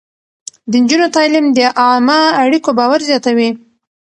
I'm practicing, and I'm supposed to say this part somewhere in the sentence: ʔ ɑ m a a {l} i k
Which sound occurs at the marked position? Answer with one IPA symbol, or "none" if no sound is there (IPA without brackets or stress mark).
ɽ